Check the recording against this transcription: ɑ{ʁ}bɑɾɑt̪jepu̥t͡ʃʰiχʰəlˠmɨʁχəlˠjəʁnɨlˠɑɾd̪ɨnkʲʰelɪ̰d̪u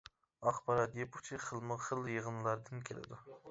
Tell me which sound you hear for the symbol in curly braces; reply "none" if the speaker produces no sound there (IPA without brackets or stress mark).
χ